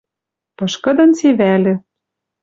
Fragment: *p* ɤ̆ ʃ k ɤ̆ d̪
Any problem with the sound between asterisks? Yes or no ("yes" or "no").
no